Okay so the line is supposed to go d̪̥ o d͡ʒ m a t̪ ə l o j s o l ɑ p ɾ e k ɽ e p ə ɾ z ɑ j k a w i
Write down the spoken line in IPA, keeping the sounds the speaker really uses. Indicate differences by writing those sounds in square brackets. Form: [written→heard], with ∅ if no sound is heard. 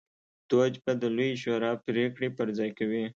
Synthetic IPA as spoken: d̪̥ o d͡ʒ [m→b] a [t̪→d̪] ə l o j [s→ʃ] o [l→ɾ] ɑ p ɾ e k ɽ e p ə ɾ z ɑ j k a w i